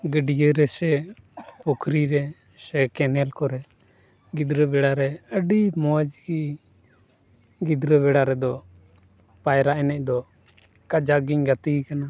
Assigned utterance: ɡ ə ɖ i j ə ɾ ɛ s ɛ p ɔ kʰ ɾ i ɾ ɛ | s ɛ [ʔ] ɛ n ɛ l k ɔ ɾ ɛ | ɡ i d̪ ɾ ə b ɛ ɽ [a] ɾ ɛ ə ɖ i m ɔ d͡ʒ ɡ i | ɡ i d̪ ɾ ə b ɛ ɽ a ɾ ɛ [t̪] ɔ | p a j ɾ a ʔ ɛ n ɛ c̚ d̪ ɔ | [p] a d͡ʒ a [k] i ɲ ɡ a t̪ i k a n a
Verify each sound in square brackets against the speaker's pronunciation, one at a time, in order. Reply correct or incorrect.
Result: incorrect, correct, incorrect, incorrect, incorrect

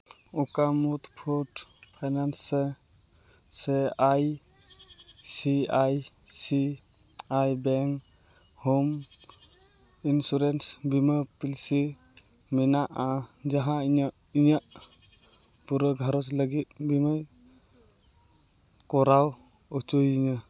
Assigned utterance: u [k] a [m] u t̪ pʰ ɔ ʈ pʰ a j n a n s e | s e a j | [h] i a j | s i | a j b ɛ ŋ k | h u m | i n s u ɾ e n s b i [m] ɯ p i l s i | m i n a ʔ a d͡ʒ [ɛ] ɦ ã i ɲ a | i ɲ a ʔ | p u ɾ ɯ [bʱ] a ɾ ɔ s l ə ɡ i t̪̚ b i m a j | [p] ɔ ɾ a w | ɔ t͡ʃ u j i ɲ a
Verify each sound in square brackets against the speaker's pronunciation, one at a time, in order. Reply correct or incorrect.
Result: correct, correct, incorrect, correct, incorrect, incorrect, incorrect

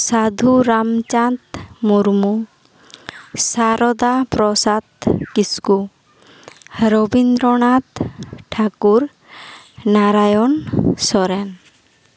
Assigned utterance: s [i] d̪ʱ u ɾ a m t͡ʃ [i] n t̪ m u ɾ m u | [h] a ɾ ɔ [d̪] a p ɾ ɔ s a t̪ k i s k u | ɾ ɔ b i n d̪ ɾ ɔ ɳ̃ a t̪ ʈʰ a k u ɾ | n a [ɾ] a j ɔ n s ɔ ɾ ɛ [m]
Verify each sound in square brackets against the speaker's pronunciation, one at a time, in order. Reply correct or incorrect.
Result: incorrect, incorrect, incorrect, correct, correct, incorrect

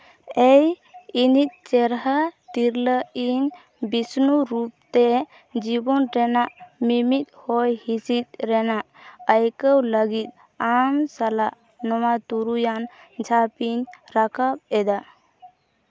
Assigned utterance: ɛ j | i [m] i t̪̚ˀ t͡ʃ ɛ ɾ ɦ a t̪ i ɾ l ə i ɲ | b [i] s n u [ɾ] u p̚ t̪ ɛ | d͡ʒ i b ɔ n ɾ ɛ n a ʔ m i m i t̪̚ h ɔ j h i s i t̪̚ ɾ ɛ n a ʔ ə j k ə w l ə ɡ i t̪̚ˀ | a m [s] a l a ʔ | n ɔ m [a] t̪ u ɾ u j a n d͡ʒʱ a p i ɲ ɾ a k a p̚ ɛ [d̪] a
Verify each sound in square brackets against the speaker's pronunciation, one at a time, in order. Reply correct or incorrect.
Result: incorrect, correct, correct, correct, correct, correct

